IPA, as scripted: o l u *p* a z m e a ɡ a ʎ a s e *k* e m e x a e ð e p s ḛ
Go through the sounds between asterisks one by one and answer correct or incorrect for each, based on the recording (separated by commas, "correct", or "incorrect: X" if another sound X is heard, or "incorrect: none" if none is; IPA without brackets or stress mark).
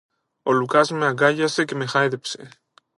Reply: incorrect: k, correct